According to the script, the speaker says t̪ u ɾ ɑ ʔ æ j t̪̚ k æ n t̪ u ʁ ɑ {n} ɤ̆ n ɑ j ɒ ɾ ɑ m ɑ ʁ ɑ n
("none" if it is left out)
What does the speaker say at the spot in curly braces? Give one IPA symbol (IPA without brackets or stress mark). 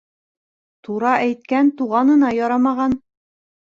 n